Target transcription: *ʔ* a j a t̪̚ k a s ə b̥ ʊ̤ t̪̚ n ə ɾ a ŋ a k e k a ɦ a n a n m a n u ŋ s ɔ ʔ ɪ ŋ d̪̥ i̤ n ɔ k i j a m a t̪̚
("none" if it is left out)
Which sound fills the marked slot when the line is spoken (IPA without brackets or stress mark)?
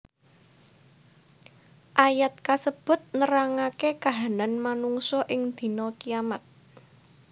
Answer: ʔ